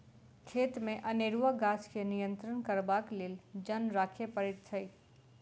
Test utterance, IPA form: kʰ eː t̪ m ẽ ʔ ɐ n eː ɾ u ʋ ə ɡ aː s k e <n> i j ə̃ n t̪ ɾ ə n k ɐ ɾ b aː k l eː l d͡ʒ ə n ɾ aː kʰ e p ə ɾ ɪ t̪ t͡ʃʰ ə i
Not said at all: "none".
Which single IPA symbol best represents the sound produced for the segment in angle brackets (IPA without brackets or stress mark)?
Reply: n